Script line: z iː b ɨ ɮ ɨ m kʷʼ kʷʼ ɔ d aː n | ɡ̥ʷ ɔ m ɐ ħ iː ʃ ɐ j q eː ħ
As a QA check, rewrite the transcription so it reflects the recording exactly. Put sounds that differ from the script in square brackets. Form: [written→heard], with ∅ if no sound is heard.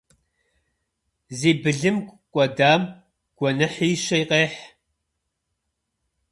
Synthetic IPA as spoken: z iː b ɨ ɮ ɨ m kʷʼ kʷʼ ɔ d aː [n→m] | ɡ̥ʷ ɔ [m→n] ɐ ħ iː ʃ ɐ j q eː ħ